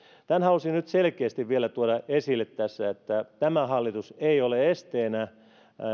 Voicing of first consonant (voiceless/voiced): voiceless